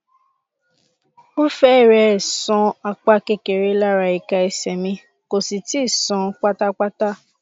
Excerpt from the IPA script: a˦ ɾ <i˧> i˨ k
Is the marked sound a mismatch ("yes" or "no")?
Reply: yes